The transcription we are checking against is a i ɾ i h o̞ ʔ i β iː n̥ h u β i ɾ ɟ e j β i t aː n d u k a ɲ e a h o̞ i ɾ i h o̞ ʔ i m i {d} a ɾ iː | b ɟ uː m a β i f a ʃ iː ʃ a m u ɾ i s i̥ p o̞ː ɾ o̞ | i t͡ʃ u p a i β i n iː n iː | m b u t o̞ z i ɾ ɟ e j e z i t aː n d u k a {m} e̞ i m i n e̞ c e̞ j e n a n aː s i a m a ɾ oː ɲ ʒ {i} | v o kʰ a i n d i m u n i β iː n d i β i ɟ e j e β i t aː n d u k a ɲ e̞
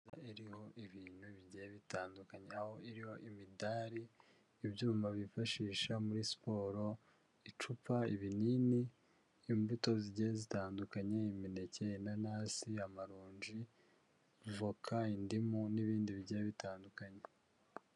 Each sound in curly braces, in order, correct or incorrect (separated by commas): correct, incorrect, correct